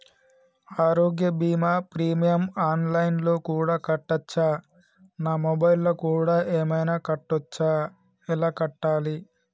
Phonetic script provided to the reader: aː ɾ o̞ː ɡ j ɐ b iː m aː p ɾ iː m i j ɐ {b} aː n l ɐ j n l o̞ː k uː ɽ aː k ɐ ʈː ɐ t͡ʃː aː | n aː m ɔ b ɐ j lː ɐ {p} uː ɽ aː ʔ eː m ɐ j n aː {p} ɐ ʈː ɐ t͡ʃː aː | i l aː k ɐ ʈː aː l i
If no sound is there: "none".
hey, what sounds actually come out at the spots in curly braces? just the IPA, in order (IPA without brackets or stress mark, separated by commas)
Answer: m, k, k